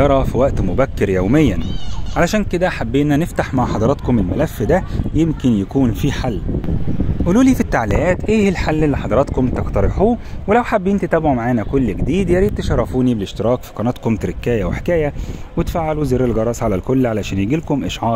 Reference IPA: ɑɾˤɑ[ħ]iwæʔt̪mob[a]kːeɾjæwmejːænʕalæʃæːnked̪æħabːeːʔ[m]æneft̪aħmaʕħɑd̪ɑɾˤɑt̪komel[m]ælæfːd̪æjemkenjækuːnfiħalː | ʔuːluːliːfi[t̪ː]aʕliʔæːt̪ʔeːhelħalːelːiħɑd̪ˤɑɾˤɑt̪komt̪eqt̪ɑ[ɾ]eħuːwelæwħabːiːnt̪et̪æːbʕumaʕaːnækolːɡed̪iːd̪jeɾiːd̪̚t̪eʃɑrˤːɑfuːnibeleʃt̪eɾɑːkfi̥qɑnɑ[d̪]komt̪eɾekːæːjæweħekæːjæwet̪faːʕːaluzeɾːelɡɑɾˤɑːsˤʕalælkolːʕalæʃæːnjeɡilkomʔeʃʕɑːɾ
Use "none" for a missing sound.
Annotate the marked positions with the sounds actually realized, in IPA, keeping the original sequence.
f, æ, n, m, t̪ː, ɾ, t̪

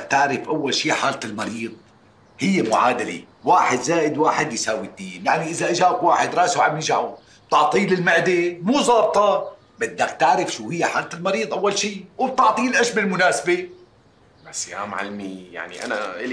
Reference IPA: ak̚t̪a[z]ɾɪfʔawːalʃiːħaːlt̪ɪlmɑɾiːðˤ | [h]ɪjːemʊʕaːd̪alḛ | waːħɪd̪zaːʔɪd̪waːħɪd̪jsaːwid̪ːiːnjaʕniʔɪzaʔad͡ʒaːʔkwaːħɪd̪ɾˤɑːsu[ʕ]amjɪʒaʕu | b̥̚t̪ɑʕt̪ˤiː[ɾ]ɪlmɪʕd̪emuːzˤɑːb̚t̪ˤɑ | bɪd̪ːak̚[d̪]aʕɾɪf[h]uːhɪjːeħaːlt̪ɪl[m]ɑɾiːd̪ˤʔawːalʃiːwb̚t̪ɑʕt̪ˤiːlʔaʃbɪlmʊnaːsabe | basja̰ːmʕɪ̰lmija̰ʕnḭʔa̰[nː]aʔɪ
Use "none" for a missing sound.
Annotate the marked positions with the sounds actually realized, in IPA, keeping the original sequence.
ʕ, h, ʕ, l, t̪, ʃ, m, n

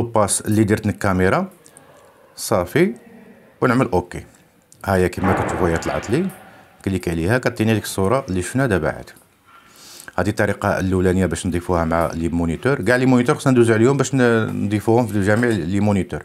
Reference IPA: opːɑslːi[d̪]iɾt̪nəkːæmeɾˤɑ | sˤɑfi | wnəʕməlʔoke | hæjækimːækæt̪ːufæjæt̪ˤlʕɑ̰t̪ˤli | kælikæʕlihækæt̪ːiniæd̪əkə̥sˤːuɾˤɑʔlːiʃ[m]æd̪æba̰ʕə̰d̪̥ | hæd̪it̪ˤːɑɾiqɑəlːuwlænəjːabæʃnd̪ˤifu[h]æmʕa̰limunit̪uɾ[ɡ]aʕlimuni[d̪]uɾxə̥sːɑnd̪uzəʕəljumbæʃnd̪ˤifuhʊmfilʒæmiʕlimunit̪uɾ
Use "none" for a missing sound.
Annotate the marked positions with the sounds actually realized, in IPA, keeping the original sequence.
d̪, n, h, ɡ, t̪

